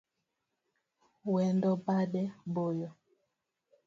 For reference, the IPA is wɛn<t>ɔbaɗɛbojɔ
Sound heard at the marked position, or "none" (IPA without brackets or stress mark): d